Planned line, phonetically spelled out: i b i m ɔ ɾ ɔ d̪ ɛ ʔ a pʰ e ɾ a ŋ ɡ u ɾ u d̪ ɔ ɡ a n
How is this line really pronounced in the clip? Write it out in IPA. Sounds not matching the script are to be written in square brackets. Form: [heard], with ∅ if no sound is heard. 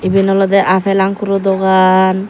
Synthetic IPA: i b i [n] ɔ [l] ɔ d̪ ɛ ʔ a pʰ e [l] a ŋ [k] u ɾ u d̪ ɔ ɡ a n